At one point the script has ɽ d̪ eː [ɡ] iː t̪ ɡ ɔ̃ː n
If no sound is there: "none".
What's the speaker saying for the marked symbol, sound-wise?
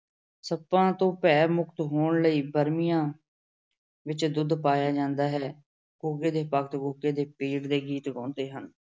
ɡ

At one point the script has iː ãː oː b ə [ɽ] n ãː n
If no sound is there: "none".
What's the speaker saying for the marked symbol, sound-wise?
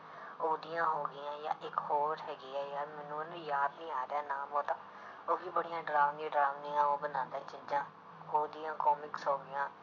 none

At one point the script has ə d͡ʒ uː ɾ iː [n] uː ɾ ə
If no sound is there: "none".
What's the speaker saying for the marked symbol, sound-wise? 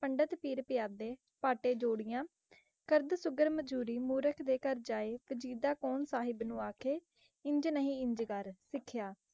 m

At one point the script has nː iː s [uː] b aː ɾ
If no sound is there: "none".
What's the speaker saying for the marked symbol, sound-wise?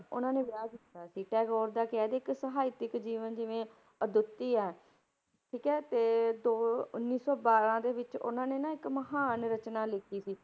ɔː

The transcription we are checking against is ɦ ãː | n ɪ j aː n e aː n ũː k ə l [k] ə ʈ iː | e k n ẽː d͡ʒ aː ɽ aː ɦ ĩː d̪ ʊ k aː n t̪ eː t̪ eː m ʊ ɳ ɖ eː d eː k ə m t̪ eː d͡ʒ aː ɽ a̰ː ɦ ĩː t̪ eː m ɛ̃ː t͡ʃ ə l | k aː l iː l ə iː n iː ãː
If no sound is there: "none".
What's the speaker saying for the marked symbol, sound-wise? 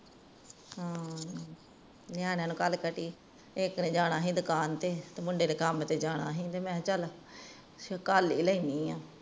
k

